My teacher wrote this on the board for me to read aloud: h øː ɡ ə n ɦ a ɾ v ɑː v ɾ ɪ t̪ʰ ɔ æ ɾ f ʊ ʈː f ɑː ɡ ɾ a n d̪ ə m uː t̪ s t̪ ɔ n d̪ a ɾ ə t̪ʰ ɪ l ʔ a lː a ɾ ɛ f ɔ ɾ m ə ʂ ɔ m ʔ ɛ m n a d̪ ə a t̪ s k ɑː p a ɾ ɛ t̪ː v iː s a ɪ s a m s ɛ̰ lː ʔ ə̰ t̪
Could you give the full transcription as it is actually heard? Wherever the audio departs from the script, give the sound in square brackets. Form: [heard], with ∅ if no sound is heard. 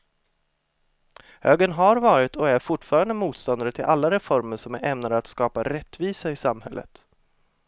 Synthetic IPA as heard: h øː ɡ ə n ɦ a ɾ v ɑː [∅] ɾ ɪ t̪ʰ ɔ æ ɾ f ʊ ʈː f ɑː [∅] ɾ a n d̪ ə m uː t̪ s t̪ ɔ n d̪ a ɾ ə t̪ʰ ɪ l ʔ a lː a ɾ ɛ f ɔ ɾ m ə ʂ ɔ m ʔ ɛ m n a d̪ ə a t̪ s k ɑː p a ɾ ɛ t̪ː v iː s a ɪ s a m [h] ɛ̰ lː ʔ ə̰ t̪